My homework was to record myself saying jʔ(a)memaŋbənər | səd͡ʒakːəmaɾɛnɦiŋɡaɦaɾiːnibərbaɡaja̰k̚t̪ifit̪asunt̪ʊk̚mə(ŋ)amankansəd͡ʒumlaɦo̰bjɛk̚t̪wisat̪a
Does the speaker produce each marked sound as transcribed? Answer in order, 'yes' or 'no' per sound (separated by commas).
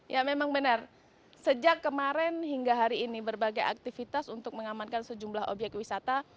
yes, yes